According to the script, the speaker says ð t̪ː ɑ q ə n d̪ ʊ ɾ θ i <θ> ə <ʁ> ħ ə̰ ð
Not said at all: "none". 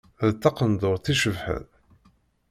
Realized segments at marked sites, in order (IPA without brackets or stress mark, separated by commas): ʃ, v